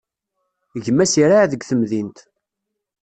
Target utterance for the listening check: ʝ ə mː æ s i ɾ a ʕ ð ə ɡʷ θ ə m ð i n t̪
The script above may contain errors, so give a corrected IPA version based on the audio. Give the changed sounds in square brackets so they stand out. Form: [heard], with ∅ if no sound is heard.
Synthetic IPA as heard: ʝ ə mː æ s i ɾ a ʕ ð ə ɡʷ θ ə m ð i n t̪